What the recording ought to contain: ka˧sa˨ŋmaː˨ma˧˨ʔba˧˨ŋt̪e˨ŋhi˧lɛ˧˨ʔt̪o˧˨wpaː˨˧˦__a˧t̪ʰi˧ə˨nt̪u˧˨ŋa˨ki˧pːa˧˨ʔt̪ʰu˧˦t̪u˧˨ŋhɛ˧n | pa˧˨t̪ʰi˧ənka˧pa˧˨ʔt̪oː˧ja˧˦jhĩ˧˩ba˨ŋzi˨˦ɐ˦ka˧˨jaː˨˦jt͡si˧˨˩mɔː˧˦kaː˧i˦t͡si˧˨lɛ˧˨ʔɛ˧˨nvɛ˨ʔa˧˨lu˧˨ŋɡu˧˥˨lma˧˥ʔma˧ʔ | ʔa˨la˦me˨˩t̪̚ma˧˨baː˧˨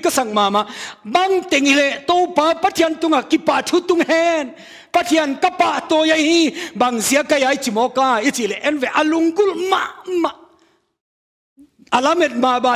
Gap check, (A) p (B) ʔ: A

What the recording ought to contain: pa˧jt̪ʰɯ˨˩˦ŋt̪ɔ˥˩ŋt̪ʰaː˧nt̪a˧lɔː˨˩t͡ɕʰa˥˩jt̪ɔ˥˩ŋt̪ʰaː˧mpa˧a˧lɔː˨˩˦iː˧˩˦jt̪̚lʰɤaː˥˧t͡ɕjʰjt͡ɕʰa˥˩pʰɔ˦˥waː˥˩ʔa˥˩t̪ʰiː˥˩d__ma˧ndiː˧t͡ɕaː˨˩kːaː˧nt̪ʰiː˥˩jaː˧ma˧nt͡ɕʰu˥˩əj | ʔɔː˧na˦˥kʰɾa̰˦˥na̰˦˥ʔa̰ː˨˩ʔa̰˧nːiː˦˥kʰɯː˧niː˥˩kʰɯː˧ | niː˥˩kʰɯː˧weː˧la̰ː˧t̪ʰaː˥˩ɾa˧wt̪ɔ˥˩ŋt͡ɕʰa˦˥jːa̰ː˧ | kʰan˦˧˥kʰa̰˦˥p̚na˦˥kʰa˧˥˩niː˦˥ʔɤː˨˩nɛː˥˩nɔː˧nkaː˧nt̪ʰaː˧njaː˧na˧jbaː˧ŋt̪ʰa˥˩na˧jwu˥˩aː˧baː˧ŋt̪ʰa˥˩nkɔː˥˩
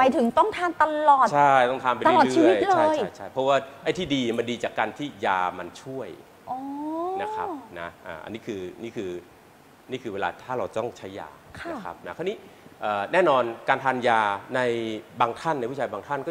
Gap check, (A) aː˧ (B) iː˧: B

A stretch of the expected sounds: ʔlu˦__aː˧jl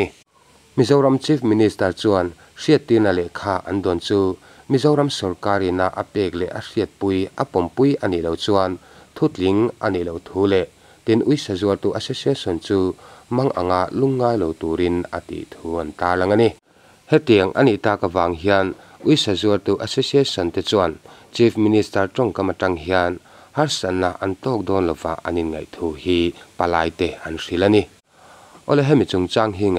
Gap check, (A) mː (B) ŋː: B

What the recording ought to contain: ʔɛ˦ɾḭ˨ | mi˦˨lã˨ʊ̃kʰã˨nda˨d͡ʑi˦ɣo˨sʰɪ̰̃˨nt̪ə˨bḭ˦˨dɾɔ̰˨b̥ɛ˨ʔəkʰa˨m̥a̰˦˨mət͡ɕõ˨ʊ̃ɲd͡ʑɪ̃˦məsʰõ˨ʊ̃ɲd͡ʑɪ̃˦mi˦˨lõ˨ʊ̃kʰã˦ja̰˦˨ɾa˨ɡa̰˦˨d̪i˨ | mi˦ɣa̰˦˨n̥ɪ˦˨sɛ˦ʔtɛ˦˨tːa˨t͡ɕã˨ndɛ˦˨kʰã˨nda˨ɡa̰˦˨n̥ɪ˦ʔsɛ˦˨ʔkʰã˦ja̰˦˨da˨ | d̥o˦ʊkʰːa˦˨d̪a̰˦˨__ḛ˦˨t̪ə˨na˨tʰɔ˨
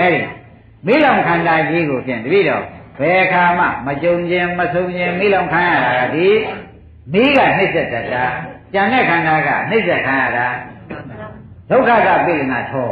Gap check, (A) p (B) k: A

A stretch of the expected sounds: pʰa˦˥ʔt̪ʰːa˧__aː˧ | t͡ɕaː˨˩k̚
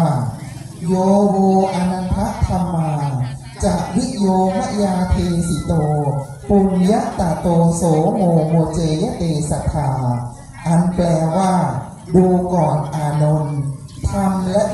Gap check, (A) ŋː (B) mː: B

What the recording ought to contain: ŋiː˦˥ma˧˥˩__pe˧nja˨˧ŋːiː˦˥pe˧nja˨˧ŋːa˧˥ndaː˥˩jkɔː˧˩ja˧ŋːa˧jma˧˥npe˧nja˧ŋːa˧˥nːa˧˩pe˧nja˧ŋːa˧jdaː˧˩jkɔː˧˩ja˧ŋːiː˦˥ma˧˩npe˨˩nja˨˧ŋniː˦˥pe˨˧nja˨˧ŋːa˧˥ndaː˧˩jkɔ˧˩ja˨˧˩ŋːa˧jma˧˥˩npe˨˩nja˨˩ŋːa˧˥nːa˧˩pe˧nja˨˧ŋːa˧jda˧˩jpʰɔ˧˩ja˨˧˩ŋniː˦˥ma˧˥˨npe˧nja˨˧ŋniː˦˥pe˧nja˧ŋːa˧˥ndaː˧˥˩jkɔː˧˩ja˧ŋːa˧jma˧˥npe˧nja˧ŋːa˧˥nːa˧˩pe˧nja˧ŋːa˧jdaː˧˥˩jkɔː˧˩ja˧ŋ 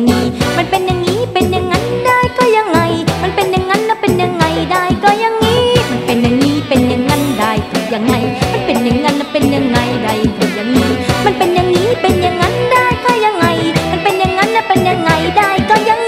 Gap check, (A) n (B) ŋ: A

